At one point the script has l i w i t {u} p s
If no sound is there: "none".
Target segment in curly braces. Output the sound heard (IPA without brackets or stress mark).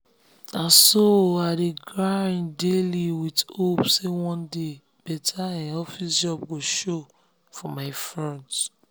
o